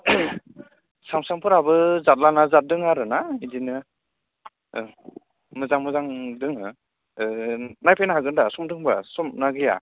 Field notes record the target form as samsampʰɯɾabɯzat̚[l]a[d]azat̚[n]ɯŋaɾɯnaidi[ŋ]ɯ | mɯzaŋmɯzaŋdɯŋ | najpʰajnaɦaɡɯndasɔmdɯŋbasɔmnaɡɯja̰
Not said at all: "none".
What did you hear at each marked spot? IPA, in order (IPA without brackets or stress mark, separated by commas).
l, n, d, n